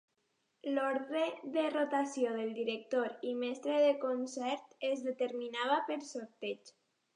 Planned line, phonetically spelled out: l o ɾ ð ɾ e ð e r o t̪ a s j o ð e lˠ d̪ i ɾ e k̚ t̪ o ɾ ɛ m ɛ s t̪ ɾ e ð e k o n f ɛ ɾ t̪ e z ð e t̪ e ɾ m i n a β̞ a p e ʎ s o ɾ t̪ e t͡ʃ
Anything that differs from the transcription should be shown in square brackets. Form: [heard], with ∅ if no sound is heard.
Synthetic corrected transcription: l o ɾ ð ɾ e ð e r o t̪ a s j o ð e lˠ d̪ i ɾ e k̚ t̪ o ɾ [i] m ɛ s t̪ ɾ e ð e k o n [s] ɛ ɾ t̪ e z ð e t̪ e ɾ m i n a β̞ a p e [ɾ] s o ɾ t̪ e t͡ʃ